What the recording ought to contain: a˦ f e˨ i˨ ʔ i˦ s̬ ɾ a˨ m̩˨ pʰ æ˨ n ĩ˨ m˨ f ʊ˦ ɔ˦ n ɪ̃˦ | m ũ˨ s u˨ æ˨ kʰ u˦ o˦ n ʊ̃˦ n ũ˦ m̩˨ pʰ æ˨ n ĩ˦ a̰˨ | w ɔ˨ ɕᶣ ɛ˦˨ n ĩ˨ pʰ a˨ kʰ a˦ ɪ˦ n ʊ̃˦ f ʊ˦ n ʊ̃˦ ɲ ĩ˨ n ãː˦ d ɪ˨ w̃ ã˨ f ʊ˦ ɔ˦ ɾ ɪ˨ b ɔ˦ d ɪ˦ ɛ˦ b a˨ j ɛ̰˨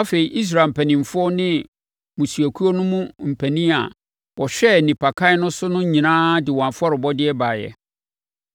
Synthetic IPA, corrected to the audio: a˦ f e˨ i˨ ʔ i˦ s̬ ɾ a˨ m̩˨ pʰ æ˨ n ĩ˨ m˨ f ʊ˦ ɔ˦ n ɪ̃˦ | m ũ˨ s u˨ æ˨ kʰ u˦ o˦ n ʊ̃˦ m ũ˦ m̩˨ pʰ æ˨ n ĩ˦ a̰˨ | w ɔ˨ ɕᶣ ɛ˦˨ n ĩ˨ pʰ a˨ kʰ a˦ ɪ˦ n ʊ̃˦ s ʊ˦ n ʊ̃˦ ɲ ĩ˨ n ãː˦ d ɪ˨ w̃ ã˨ f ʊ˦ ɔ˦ ɾ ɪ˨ b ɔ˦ d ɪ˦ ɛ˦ b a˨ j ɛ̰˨